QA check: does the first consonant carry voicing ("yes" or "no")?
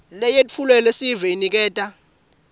yes